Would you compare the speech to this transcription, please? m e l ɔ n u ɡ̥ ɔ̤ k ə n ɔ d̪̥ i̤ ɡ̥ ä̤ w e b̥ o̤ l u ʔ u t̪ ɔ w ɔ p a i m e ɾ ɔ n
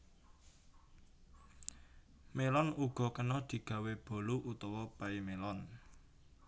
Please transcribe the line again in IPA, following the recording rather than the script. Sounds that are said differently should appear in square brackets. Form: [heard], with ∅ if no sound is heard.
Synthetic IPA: m e l ɔ n u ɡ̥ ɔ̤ k ə n ɔ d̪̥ i̤ ɡ̥ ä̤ w e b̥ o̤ l u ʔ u t̪ ɔ w ɔ p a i m e [l] ɔ n